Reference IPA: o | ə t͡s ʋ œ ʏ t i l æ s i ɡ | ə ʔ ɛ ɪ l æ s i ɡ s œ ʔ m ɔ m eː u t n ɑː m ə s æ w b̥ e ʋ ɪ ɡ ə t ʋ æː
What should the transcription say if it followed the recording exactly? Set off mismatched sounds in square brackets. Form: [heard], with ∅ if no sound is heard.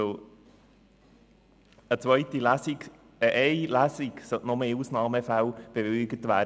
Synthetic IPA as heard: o | ə t͡s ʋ œ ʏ t i l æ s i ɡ | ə ʔ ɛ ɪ l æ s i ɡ s œ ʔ [n] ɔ m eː u [s] n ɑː m ə [f] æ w b̥ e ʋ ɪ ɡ ə t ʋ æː